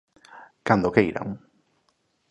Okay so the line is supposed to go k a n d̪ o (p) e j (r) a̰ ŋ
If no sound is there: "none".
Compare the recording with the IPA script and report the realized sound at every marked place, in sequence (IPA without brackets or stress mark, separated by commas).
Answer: k, ɾ